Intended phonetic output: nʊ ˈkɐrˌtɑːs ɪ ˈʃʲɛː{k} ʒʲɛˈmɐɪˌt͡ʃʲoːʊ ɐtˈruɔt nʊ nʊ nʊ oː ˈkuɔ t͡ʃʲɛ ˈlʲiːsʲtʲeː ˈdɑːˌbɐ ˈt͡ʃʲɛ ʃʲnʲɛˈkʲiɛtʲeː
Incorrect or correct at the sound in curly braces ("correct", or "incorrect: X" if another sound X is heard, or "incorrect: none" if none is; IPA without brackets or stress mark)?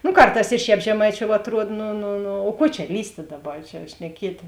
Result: incorrect: p